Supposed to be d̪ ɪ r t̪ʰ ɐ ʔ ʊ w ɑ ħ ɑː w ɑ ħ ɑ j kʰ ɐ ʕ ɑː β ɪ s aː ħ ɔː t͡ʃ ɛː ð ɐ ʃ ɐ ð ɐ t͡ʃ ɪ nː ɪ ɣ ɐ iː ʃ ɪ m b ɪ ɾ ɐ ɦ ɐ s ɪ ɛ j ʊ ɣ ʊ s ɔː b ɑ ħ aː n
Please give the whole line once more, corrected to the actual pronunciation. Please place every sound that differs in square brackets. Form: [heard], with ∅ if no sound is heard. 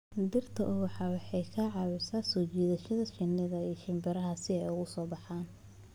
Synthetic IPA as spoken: d̪ ɪ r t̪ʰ ɐ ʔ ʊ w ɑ ħ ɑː w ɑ ħ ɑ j kʰ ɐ ʕ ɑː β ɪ s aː [s] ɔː t͡ʃ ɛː ð ɐ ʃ ɐ ð ɐ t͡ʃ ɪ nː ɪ [ð] ɐ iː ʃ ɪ m b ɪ ɾ ɐ ɦ ɐ s ɪ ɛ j ʊ ɣ ʊ s ɔː b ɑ ħ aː n

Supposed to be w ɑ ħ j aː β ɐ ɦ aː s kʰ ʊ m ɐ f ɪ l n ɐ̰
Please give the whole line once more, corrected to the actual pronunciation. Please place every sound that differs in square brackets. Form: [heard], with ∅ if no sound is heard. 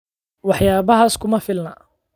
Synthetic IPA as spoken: w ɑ ħ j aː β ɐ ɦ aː s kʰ ʊ m ɐ f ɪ l n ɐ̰

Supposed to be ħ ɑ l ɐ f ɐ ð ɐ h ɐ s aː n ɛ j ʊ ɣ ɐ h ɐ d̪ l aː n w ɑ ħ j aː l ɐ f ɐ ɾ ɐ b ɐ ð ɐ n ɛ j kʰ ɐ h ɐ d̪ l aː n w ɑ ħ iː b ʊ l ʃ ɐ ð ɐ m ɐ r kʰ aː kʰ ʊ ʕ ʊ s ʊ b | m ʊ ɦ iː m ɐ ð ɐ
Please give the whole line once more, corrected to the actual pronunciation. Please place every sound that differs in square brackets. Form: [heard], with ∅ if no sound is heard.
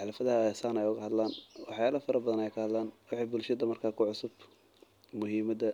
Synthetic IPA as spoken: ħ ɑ l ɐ f ɐ ð ɐ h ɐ s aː n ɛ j ʊ ɣ ɐ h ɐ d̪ l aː n w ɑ ħ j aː l ɐ f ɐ ɾ ɐ b ɐ ð ɐ n ɛ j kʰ ɐ h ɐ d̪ l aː n w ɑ ħ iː b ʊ l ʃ ɐ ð ɐ m ɐ r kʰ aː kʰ ʊ ʕ ʊ s ʊ b | m ʊ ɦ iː m ɐ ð ɐ

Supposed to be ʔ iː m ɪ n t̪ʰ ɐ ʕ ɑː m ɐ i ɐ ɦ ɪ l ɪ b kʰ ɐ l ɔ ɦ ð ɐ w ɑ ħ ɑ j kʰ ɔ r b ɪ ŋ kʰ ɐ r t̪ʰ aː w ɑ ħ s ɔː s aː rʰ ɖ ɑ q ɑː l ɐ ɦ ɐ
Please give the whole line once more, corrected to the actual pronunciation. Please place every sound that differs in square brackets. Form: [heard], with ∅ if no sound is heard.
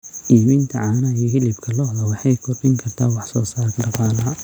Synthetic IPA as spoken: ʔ iː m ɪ n t̪ʰ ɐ ʕ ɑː [n] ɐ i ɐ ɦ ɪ l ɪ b kʰ ɐ l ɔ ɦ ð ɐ w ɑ ħ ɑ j kʰ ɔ r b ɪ ŋ kʰ ɐ r t̪ʰ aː w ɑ ħ s ɔː s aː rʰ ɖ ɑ q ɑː l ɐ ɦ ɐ

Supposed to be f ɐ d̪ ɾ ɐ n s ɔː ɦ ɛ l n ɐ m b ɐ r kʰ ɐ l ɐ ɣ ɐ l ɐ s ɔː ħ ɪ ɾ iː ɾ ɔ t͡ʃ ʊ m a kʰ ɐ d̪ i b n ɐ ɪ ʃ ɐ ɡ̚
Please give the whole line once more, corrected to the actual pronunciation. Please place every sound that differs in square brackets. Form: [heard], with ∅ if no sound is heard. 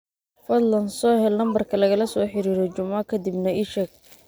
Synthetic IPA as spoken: f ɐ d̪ [l] ɐ n s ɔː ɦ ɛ l n ɐ m b ɐ r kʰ ɐ l ɐ ɣ ɐ l ɐ s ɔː ħ ɪ ɾ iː ɾ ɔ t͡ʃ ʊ m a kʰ ɐ d̪ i b n ɐ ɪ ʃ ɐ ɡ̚

